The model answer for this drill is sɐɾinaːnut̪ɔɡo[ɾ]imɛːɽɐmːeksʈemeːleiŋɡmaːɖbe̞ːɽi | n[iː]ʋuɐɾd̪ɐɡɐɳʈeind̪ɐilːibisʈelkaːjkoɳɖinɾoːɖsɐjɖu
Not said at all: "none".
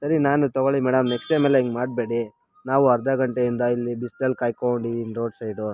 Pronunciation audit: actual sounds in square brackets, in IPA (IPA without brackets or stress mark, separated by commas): ɭ, aː